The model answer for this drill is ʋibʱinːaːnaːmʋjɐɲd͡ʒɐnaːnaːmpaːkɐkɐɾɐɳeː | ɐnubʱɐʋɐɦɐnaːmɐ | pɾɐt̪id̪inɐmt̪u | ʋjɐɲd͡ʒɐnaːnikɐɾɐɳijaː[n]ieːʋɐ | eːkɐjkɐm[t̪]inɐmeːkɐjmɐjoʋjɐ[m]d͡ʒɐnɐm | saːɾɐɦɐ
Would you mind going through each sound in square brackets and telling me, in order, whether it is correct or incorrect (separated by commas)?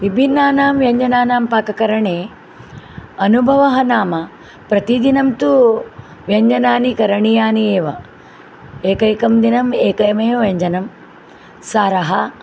correct, incorrect, incorrect